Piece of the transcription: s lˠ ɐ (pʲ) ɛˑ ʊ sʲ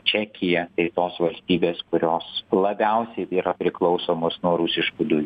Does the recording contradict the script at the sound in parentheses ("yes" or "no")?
yes